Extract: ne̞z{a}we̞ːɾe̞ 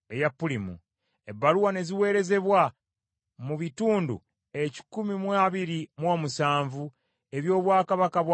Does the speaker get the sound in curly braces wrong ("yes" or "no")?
yes